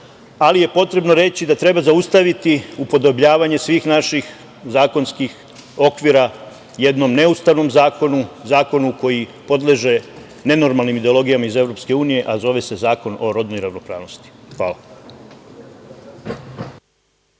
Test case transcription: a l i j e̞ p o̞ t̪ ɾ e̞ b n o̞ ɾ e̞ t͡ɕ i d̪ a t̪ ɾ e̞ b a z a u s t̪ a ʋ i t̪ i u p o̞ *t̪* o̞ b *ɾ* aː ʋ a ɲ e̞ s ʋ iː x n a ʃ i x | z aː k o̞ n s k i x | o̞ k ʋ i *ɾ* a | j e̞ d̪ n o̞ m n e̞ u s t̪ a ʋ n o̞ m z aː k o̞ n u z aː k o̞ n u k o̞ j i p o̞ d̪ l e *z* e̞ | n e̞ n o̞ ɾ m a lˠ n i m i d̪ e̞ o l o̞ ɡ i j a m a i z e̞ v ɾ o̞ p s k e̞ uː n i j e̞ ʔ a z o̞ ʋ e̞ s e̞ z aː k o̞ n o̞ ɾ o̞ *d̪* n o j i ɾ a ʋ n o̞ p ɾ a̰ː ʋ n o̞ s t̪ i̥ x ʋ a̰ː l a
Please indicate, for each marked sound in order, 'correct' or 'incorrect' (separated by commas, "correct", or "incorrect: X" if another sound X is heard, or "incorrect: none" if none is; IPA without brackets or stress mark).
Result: incorrect: d̪, incorrect: ʎ, correct, incorrect: ʒ, correct